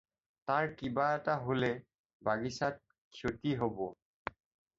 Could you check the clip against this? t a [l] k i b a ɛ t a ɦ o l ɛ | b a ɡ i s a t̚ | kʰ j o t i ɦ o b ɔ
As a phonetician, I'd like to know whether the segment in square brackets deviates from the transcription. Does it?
yes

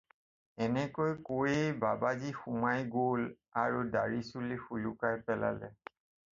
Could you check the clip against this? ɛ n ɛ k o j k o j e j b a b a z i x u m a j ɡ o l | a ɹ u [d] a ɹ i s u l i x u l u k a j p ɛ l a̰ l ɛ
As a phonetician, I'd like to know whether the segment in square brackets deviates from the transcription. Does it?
no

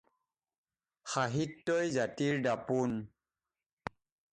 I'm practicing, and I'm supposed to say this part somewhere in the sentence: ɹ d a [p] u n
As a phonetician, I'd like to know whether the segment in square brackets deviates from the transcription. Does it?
no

